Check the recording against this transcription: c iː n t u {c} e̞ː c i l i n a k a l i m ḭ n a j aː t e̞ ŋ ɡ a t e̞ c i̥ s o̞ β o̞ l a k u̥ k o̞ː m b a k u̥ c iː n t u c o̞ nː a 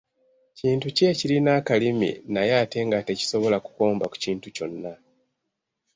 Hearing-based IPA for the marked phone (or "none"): c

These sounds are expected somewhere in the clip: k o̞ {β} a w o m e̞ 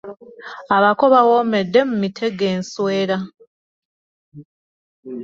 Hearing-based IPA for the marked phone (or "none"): β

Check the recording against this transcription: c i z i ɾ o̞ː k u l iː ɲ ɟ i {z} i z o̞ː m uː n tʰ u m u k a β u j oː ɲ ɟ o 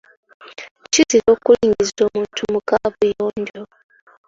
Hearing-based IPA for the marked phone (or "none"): z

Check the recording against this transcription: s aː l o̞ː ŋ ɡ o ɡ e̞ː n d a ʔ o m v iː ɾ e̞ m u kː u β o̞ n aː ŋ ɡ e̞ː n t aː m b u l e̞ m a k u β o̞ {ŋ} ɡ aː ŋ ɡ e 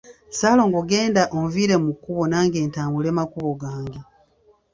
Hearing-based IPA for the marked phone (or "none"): none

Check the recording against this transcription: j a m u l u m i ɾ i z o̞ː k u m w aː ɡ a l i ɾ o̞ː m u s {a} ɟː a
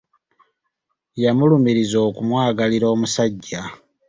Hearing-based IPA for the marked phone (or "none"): a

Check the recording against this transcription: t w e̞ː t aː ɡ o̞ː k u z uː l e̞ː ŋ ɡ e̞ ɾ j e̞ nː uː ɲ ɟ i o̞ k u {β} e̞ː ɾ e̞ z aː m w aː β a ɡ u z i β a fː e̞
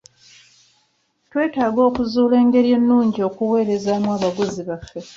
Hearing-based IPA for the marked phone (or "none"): w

